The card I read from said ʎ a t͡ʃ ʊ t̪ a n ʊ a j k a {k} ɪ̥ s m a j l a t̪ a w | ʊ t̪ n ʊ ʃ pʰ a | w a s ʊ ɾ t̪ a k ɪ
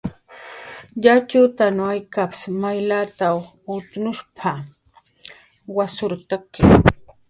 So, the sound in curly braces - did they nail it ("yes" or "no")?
no